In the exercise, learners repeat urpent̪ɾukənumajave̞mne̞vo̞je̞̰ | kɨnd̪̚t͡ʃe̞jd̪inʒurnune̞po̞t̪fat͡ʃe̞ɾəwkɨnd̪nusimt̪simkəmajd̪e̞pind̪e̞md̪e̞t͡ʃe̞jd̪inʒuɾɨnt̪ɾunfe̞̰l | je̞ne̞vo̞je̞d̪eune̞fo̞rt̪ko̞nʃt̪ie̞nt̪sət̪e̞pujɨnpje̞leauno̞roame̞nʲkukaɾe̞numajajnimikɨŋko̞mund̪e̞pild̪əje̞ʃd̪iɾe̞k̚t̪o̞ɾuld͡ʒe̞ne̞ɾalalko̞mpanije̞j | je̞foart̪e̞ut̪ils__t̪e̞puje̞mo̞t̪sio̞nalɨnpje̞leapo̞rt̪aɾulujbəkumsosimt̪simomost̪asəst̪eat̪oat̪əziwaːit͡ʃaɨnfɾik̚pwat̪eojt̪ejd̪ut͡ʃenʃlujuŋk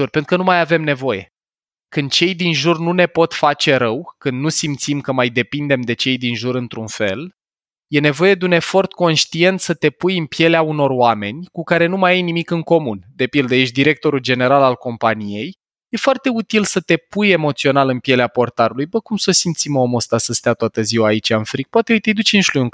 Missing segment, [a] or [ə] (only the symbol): ə